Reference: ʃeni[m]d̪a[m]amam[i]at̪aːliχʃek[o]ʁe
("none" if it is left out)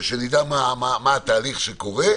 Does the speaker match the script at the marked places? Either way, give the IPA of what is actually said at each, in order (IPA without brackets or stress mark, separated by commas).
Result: none, m, a, o